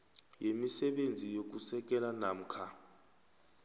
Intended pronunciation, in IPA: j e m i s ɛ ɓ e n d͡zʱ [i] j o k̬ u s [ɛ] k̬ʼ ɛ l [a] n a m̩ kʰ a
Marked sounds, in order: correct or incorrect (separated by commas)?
correct, correct, correct